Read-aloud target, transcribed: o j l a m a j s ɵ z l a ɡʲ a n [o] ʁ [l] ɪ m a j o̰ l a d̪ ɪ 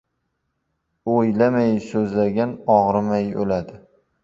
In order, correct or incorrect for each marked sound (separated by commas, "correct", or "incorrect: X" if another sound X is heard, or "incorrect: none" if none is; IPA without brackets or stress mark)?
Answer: incorrect: ɒ, incorrect: ɾ